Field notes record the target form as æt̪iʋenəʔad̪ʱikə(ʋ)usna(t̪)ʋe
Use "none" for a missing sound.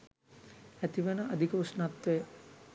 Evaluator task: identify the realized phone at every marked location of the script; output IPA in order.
none, t̪

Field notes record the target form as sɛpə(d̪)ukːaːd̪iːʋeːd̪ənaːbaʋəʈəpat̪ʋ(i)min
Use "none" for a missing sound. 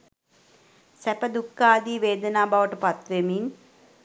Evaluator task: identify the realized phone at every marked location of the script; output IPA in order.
d̪, e

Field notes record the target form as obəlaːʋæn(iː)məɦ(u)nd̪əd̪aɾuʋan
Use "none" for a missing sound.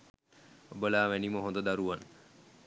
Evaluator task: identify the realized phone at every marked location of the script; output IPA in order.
i, o

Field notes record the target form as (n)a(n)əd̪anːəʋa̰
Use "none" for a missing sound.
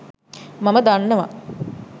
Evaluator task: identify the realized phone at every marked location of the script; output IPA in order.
m, m

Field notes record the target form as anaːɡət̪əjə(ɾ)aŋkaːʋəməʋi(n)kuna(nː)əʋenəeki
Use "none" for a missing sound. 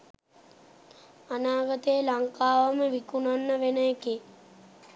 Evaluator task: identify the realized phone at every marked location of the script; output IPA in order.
l, none, nː

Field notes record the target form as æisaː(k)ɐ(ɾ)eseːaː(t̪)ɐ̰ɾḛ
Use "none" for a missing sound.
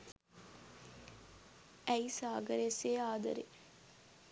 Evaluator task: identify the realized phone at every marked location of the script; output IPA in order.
ɡ, ɾ, d̪

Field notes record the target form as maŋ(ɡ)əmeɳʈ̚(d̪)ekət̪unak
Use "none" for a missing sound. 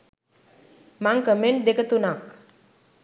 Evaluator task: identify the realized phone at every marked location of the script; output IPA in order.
k, d̪

